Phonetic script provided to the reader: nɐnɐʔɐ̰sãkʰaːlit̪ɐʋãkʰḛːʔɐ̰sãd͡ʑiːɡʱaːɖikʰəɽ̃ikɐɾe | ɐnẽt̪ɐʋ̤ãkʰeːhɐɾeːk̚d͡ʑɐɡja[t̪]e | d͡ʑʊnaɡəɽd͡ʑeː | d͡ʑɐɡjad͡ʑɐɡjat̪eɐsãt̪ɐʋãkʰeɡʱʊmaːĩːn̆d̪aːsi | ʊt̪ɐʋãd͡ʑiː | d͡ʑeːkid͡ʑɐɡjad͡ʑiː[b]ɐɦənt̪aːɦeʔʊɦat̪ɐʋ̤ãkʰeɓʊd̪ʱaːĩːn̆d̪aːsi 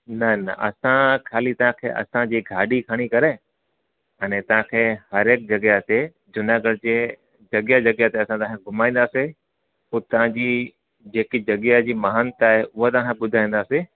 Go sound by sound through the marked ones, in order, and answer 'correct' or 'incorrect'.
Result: correct, incorrect: m

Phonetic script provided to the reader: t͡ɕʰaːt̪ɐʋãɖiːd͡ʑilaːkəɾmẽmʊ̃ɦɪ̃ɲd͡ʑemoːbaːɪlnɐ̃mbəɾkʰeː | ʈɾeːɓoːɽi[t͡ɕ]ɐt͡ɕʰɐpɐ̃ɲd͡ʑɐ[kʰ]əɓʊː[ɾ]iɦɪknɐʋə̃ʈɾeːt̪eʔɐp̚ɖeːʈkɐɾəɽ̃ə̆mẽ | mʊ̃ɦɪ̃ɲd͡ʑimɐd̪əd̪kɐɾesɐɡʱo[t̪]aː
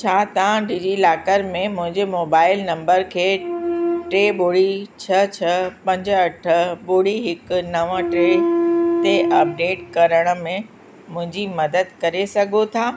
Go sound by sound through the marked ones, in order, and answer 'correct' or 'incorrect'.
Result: incorrect: t͡ɕʰ, incorrect: ʈʰ, incorrect: ɽ, incorrect: t̪ʰ

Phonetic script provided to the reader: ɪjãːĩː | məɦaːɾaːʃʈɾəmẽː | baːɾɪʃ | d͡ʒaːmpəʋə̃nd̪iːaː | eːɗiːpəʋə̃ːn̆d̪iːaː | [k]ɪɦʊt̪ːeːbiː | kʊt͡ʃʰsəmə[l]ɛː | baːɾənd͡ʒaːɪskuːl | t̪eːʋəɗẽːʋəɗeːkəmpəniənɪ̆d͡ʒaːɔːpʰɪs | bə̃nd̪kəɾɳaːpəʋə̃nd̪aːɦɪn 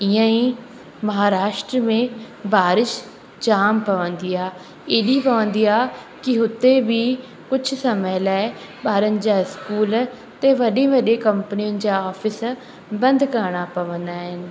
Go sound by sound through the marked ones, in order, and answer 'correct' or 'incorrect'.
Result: correct, correct

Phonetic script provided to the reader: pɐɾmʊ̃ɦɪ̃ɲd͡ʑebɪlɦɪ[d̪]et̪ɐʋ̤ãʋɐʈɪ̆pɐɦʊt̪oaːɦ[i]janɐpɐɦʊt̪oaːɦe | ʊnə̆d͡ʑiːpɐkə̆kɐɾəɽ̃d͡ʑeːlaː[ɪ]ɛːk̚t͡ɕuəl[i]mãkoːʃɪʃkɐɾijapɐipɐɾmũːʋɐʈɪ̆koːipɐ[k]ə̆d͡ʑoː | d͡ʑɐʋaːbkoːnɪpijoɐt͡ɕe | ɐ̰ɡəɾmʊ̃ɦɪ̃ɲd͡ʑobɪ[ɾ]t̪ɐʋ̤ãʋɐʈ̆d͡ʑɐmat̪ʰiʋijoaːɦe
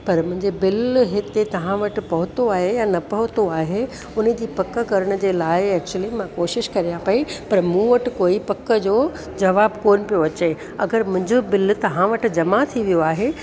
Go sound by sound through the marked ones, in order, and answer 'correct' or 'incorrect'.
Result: incorrect: t̪, incorrect: e, correct, correct, correct, incorrect: l

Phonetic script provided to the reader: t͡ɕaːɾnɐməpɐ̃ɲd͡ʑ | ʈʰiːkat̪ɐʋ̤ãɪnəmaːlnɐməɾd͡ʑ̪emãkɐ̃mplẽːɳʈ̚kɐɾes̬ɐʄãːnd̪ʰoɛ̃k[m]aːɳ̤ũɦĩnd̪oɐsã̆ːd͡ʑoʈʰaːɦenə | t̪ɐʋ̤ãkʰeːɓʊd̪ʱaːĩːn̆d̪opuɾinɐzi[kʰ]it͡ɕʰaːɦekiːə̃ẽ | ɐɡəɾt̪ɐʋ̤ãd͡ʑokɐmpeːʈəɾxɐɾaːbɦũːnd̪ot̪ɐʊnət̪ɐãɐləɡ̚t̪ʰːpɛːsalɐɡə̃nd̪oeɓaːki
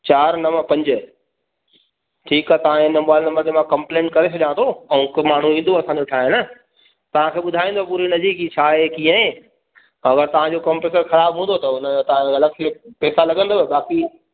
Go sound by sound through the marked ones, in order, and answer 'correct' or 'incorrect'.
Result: correct, incorrect: k

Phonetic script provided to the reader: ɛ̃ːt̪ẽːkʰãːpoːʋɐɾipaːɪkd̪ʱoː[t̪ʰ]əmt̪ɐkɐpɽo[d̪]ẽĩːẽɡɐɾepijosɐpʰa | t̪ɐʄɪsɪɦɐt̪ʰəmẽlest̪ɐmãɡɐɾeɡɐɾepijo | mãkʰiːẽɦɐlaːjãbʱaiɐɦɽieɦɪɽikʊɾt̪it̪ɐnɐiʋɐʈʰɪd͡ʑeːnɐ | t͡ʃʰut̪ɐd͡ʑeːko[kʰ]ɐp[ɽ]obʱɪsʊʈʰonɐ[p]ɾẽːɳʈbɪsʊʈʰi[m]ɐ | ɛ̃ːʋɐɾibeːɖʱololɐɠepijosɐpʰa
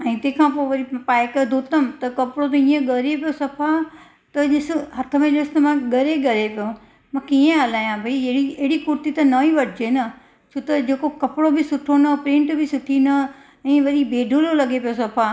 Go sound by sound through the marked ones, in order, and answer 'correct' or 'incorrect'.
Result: incorrect: t̪, incorrect: t̪, incorrect: k, correct, correct, incorrect: n

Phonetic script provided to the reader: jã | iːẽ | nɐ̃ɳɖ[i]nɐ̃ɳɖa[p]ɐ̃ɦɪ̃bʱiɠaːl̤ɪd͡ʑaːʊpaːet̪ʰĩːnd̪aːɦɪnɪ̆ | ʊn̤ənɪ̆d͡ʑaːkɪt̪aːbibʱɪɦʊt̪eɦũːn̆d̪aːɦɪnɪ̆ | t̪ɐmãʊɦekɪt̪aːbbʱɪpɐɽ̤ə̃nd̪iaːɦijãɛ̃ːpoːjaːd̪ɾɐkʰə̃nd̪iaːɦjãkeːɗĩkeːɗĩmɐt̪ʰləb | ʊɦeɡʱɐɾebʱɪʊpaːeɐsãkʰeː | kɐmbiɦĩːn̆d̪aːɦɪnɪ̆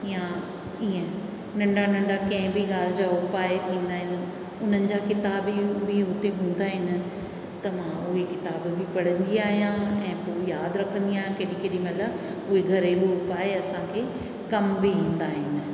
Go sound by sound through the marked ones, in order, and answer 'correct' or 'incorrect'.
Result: incorrect: a, incorrect: k

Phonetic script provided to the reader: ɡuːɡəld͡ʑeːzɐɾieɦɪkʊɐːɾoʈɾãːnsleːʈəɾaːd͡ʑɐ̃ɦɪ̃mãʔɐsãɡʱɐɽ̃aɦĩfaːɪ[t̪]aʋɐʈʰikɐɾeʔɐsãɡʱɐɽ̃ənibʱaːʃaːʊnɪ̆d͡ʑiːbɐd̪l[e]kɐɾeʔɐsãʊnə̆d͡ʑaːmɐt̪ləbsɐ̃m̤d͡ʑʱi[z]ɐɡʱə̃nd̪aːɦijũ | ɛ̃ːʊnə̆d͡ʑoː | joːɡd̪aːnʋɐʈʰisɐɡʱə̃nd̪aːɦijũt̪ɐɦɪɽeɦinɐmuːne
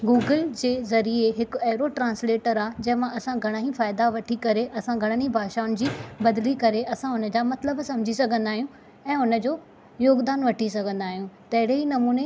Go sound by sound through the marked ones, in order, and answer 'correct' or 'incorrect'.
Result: incorrect: d̪, incorrect: i, incorrect: s

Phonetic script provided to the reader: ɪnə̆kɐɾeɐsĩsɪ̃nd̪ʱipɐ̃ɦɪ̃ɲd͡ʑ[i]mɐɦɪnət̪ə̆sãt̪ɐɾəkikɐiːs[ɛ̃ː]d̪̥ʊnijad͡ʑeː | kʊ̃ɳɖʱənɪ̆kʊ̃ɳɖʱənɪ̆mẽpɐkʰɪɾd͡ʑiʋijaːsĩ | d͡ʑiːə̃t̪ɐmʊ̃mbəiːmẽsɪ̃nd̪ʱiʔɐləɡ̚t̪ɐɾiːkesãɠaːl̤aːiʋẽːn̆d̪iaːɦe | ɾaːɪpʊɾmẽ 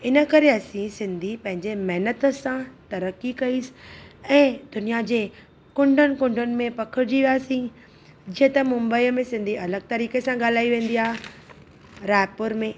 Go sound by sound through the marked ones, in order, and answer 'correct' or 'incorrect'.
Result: incorrect: e, correct

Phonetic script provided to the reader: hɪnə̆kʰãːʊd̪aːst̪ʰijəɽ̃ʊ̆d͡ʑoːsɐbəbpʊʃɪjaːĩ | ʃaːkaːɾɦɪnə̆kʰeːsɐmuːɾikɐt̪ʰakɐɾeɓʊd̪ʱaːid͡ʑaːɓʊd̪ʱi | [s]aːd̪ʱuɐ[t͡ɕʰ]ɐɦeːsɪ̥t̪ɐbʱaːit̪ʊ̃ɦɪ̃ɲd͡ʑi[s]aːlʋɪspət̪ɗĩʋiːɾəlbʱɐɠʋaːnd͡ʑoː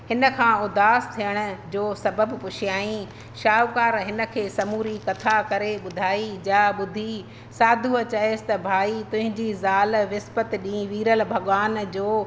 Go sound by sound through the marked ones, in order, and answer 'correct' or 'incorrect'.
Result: correct, incorrect: t͡ɕ, incorrect: z

